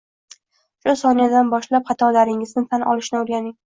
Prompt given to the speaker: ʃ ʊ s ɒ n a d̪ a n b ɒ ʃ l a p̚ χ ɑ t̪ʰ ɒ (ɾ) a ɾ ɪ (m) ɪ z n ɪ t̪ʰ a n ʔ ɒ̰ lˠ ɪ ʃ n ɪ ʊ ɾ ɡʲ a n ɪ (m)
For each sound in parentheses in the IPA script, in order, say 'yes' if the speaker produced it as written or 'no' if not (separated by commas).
no, no, no